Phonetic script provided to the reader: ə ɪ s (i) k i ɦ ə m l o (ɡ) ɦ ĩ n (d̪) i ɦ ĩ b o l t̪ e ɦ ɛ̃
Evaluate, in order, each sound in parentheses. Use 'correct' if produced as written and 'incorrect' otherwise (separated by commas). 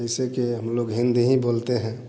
incorrect, correct, correct